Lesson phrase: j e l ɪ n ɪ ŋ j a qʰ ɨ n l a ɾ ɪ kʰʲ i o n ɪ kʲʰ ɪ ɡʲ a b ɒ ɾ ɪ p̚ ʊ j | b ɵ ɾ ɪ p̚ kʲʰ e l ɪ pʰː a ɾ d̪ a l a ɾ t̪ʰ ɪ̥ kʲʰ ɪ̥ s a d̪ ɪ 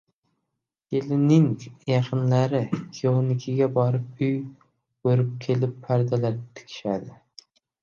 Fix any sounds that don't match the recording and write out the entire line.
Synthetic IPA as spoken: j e l ɪ n ɪ ŋ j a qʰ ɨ n l a ɾ ɪ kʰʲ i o n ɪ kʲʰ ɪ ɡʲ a b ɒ ɾ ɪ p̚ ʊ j | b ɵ ɾ ɪ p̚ kʲʰ e l ɪ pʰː a ɾ d̪ a l a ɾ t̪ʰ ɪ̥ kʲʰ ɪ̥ ʃ a d̪ ɪ